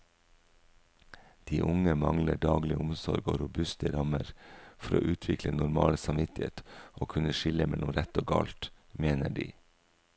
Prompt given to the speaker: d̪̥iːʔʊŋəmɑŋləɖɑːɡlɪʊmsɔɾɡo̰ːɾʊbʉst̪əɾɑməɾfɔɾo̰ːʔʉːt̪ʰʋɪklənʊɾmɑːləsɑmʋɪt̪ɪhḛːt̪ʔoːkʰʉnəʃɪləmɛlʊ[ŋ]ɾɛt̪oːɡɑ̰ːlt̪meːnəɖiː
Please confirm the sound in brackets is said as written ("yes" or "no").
no